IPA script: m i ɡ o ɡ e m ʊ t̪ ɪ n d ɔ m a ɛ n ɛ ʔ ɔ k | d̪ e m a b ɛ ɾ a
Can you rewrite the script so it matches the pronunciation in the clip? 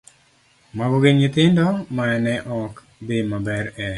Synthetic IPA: m a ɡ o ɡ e ɲ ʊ t̪ ɪ n d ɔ m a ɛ n ɛ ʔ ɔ k | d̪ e m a b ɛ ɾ ɛ